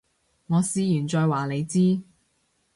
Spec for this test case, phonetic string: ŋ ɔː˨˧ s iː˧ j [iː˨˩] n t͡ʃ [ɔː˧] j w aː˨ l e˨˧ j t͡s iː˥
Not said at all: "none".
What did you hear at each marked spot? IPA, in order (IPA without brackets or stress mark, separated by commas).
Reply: yː˨˩, ɔː˧